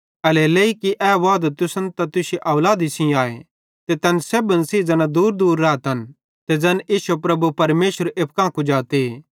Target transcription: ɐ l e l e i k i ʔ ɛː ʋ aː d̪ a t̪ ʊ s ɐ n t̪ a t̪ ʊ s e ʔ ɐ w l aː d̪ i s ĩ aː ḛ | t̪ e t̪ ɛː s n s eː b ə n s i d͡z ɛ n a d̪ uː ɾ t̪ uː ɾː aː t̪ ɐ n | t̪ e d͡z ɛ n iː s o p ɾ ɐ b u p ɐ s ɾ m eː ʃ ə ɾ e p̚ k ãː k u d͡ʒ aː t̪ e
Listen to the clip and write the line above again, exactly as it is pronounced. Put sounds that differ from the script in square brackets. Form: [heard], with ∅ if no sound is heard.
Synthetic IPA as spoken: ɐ l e l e i k i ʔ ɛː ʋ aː d̪ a t̪ ʊ s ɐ n t̪ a t̪ ʊ s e ʔ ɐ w l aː d̪ i s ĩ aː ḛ | t̪ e t̪ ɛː [∅] n s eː b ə n s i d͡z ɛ n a d̪ uː ɾ [d̪] uː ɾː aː t̪ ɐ n | t̪ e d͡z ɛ n iː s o p ɾ ɐ b u p ɐ [∅] ɾ m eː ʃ ə ɾ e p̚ k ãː k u d͡ʒ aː t̪ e